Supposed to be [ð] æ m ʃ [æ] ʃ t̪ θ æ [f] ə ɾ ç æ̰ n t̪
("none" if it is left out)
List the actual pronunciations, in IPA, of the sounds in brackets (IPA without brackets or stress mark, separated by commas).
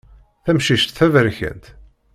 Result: θ, i, v